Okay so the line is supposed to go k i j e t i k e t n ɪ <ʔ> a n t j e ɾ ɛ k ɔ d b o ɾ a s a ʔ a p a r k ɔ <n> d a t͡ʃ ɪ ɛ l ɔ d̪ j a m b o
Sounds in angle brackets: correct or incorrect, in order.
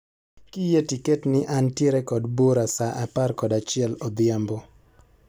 correct, incorrect: none

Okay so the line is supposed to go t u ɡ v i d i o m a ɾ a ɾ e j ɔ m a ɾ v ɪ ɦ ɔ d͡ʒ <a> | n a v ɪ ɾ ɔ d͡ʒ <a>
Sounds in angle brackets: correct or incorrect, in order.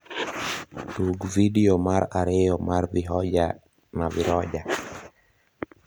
correct, correct

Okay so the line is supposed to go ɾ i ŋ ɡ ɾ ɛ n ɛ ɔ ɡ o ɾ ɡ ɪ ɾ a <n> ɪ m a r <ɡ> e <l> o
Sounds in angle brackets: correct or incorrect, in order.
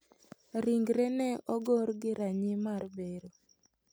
incorrect: ɲ, incorrect: b, incorrect: ɾ

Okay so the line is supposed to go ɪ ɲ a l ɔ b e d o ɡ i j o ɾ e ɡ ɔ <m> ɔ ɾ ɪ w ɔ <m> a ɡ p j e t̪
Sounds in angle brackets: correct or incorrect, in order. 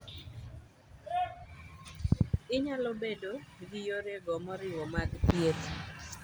correct, correct

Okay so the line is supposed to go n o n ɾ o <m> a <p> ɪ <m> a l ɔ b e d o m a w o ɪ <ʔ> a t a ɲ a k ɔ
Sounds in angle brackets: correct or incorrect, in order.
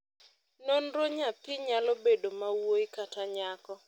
incorrect: ɲ, correct, incorrect: ɲ, incorrect: k

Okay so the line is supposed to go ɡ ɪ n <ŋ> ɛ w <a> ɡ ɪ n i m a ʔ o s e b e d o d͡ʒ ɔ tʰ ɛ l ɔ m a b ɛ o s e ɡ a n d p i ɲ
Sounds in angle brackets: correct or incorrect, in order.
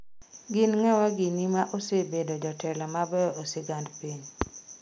correct, correct

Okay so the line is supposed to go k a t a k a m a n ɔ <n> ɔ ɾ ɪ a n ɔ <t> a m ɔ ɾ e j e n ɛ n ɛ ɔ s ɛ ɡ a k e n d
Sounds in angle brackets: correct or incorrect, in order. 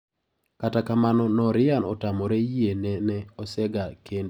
correct, correct

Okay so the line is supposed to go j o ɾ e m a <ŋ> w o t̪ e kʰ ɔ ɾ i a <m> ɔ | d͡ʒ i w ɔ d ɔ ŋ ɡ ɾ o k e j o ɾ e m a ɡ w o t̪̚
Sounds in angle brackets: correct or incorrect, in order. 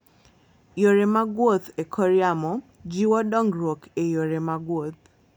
incorrect: ɡ, correct

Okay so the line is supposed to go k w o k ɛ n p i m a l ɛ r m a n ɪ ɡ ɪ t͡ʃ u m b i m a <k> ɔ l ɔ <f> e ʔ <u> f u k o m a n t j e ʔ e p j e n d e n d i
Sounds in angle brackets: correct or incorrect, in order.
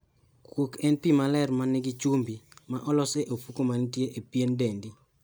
incorrect: ʔ, incorrect: s, incorrect: o

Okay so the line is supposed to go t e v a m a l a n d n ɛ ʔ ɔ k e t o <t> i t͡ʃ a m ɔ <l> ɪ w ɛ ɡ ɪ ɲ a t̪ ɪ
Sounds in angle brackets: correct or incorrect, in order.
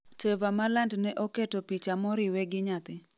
incorrect: p, incorrect: ɾ

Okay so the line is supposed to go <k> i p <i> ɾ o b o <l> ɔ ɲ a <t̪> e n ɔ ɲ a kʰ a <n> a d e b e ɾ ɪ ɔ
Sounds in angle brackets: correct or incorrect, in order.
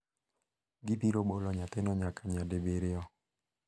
incorrect: ɡ, correct, correct, correct, incorrect: ɲ

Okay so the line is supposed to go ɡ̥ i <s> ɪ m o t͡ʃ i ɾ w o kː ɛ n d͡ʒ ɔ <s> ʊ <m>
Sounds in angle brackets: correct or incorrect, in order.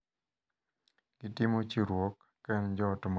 incorrect: t, incorrect: t, correct

